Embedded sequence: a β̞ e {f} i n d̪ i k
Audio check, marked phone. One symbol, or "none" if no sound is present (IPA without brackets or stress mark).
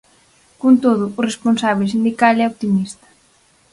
s